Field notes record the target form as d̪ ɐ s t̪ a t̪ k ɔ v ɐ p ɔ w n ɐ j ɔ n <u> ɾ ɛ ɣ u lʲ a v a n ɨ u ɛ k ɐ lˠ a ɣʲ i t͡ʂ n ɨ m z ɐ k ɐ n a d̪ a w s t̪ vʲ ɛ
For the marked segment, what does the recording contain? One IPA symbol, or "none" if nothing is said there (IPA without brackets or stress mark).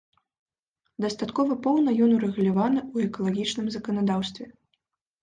u